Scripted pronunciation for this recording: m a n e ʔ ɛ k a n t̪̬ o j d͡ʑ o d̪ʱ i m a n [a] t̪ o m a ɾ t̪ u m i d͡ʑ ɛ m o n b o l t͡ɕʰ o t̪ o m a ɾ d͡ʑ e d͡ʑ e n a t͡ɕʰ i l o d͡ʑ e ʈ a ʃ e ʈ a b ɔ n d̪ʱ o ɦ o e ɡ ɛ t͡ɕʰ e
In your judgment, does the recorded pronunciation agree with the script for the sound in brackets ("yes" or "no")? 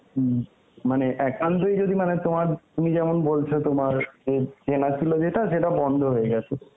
no